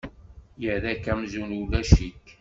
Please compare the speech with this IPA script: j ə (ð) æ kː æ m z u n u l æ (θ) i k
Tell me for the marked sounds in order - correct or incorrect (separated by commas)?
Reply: correct, incorrect